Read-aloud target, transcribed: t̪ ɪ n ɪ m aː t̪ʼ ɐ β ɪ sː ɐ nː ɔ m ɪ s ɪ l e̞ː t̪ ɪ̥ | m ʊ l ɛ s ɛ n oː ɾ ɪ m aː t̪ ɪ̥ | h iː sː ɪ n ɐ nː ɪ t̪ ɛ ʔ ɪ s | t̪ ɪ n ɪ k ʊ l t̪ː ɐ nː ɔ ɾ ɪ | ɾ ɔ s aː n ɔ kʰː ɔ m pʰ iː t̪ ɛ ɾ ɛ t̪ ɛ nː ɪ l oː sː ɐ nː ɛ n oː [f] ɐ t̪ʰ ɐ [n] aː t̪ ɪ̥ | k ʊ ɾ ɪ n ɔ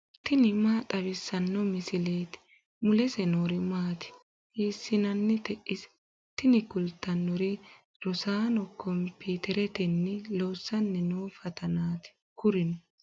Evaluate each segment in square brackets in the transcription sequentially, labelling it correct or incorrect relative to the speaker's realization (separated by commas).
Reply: correct, correct